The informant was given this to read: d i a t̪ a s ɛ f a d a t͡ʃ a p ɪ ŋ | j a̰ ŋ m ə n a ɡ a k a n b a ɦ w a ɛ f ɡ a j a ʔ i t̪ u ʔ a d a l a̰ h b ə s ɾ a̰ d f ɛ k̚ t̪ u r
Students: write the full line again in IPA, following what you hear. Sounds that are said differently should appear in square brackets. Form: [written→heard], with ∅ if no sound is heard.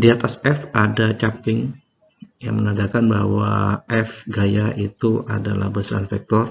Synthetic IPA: d i a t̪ a s ɛ f a d a t͡ʃ a p ɪ ŋ | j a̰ ŋ m ə n a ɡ a k a n b a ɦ w a ɛ f ɡ a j a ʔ i t̪ u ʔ a d a l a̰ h b ə s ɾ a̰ [d→n] f ɛ k̚ t̪ [u→ɔ] r